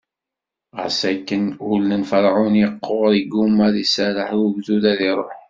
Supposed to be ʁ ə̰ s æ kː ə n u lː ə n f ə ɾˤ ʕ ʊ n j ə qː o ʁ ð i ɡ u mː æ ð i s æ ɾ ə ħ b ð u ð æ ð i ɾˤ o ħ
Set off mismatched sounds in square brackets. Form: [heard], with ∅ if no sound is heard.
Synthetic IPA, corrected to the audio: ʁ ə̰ s æ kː ə n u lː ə n f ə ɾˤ ʕ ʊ n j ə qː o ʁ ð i ɡ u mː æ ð i s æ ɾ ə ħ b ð u ð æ ð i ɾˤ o ħ